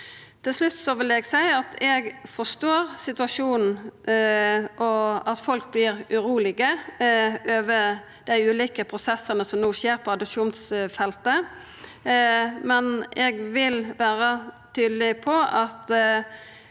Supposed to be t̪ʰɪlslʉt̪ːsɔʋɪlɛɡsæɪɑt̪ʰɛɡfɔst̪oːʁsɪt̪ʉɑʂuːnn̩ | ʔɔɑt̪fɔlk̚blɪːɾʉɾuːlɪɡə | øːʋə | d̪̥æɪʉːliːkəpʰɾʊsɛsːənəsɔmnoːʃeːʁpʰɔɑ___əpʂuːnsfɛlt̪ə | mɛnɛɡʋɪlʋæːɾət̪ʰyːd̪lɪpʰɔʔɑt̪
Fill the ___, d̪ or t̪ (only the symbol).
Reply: d̪